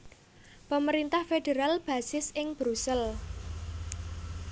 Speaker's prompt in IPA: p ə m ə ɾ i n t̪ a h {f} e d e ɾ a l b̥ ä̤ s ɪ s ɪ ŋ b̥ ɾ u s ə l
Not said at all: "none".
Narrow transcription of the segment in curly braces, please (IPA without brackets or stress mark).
f